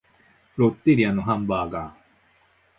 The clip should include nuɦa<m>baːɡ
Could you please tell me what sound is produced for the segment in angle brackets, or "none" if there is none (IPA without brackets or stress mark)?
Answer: m